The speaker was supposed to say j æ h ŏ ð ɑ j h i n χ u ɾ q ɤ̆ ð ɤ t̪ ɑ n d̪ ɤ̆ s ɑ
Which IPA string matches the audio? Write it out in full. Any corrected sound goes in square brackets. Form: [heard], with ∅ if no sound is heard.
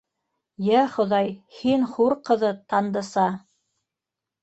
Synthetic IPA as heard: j æ [χ] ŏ ð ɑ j h i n χ u ɾ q ɤ̆ ð ɤ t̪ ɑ n d̪ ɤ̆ s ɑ

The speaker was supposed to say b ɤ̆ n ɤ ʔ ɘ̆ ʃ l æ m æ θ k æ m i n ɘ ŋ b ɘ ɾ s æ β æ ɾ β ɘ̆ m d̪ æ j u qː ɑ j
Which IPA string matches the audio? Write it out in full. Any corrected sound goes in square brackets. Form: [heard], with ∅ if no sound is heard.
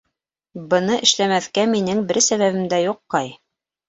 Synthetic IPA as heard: b ɤ̆ n ɤ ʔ ɘ̆ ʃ l æ m æ θ k æ m i n ɘ ŋ b ɘ ɾ s æ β æ [∅] β ɘ̆ m d̪ æ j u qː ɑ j

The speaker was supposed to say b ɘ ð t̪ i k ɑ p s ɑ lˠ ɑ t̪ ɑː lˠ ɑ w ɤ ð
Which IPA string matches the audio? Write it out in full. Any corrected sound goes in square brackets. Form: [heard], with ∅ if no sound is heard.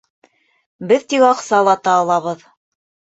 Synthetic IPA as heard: b ɘ ð t̪ i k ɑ [q] s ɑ lˠ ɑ t̪ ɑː lˠ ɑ [β] ɤ ð

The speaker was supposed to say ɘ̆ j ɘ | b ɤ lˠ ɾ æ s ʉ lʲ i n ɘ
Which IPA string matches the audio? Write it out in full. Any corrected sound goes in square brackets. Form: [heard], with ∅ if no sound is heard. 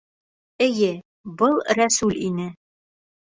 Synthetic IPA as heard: ɘ̆ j ɘ | b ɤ lˠ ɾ æ s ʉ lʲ i n ɘ

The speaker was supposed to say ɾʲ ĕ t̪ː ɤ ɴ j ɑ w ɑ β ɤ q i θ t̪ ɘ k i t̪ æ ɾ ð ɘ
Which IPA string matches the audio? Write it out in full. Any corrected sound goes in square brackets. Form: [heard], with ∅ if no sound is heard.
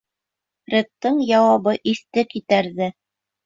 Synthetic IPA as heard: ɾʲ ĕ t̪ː ɤ ɴ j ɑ w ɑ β ɤ [ʔ] i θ t̪ ɘ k i t̪ æ ɾ ð ɘ

